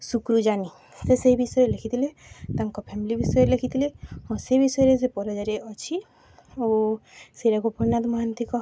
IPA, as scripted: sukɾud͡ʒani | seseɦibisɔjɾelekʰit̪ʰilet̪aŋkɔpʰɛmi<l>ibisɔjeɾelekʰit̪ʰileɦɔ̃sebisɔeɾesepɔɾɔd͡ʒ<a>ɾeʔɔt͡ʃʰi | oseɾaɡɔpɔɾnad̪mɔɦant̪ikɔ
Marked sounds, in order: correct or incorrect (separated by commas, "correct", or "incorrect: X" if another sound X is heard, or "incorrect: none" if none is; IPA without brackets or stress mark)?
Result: correct, correct